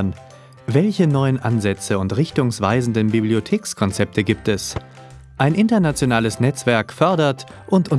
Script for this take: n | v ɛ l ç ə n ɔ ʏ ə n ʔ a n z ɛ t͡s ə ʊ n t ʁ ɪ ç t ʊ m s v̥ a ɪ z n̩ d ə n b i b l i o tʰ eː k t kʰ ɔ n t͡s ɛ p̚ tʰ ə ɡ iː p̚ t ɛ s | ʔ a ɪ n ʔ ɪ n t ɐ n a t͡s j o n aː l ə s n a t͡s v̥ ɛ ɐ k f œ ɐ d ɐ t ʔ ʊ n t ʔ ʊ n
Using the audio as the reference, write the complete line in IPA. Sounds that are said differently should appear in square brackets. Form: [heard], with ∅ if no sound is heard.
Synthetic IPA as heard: n | v ɛ l ç ə n ɔ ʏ ə n ʔ a n z ɛ t͡s ə ʊ n t ʁ ɪ ç t ʊ [ŋ] s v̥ a ɪ z n̩ d ə n b i b l i o tʰ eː k [s] kʰ ɔ n t͡s ɛ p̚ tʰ ə ɡ iː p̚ t ɛ s | ʔ a ɪ n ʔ ɪ n t ɐ n a t͡s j o n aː l ə s n [ɛ] t͡s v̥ ɛ ɐ k f œ ɐ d ɐ t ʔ ʊ n t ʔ ʊ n